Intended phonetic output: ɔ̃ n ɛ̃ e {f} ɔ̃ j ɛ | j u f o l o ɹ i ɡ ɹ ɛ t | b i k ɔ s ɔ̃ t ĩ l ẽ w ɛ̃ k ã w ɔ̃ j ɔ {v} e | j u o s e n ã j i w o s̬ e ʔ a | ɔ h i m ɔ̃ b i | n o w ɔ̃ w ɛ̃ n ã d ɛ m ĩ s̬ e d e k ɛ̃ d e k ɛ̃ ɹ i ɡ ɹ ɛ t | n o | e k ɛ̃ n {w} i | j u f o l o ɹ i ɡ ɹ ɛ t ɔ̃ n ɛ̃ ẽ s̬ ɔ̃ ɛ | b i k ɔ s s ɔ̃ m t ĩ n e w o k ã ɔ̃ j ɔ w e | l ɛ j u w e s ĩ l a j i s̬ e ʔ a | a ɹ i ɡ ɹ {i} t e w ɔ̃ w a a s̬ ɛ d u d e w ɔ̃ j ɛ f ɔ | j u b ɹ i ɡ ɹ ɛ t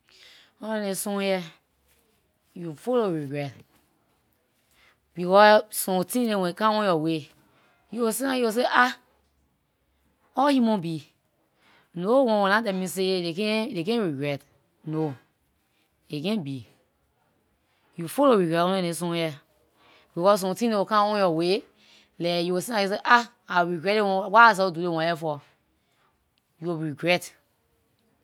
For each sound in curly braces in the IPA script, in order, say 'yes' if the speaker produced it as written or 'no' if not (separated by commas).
no, no, no, no